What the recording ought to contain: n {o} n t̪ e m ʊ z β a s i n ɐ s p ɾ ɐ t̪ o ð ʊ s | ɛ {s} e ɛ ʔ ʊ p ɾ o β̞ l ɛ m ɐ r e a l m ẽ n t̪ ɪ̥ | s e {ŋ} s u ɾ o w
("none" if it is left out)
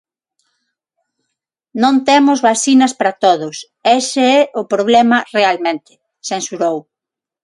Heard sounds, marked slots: õ, s, n

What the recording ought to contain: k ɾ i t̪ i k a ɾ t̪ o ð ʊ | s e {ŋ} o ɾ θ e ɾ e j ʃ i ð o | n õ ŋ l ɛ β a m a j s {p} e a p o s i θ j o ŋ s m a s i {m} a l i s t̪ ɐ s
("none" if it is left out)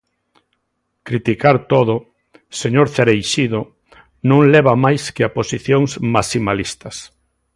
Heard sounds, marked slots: ɲ, k, m

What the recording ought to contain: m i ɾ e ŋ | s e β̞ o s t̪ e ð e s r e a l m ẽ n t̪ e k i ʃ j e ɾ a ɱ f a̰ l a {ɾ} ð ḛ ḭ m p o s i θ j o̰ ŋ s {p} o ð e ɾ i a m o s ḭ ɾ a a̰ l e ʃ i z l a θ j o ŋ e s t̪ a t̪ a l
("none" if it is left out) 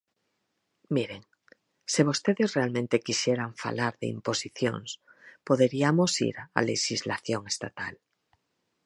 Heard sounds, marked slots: ɾ, p

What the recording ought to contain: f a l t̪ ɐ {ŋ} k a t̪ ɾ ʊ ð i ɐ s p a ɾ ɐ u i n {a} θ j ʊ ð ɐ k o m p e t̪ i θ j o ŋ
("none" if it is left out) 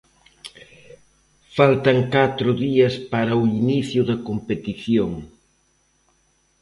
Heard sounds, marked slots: ŋ, i

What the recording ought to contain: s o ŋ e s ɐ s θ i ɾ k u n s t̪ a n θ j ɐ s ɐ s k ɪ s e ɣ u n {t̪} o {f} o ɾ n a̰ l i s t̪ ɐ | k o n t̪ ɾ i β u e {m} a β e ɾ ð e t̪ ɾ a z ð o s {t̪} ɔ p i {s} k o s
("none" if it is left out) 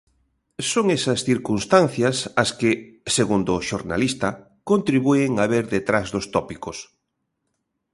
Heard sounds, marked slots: d̪, ʃ, ŋ, t̪, none

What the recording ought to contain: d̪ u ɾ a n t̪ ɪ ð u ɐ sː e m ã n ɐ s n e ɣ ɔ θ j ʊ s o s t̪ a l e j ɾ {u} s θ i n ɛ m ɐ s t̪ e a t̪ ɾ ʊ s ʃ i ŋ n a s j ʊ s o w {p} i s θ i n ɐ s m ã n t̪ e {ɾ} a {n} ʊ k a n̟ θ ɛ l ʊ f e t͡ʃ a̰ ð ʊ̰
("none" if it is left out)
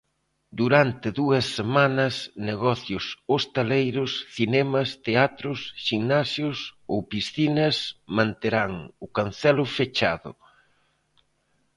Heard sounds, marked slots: ʊ, p, ɾ, ŋ

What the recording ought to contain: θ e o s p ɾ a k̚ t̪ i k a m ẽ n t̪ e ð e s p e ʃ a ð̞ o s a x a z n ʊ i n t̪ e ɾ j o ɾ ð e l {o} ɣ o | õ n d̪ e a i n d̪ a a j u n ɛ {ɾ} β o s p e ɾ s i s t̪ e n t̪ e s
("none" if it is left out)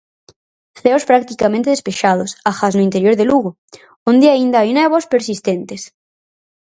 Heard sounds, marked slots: u, none

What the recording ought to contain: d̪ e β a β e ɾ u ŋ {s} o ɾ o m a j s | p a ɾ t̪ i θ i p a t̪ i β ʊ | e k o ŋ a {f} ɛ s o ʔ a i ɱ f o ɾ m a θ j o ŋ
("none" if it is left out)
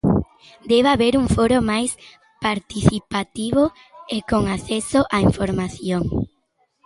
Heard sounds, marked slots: f, θ

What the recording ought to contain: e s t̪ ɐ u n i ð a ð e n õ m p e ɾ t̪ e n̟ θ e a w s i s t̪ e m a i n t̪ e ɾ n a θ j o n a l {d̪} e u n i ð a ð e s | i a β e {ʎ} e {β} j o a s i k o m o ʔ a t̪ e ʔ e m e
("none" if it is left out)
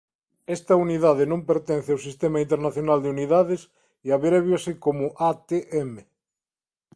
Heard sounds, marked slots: d̪, ɾ, β

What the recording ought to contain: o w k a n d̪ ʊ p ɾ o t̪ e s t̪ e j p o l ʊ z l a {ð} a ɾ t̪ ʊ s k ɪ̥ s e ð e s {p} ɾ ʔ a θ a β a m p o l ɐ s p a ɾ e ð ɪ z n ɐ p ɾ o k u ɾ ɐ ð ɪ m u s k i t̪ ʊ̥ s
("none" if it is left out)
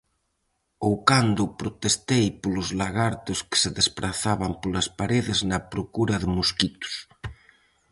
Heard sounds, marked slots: ɣ, p

